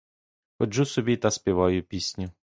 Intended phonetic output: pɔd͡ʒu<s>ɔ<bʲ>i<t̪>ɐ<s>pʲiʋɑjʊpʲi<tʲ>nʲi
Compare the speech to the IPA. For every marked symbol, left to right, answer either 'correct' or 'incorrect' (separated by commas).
correct, correct, correct, correct, incorrect